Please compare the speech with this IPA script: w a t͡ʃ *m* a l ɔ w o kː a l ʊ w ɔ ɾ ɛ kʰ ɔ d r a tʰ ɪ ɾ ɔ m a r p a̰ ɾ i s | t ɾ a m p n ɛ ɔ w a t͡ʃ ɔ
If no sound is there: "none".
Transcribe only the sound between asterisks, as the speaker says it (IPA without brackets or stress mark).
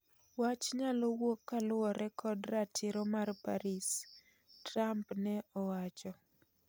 ɲ